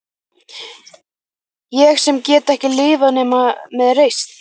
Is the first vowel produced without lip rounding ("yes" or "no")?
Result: yes